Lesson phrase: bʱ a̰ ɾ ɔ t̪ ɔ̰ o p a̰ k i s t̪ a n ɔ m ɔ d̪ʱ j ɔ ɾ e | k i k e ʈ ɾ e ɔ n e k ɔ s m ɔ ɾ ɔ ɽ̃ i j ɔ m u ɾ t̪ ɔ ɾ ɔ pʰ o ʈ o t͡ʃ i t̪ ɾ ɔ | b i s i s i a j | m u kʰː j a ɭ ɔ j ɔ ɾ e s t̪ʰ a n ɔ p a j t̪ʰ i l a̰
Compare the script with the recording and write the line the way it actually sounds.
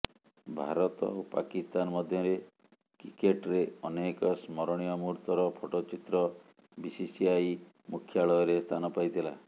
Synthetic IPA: bʱ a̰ ɾ ɔ t̪ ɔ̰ o p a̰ k i s t̪ a n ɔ m ɔ d̪ʱ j ɔ ɾ e | k i k e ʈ ɾ e ɔ n e k ɔ s m ɔ ɾ ɔ ɽ̃ i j ɔ m u ɾ t̪ ɔ ɾ ɔ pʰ o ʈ o t͡ʃ i t̪ ɾ ɔ | b i s i s i a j | m u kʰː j a ɭ ɔ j ɔ ɾ e s t̪ʰ a n ɔ p a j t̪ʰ i l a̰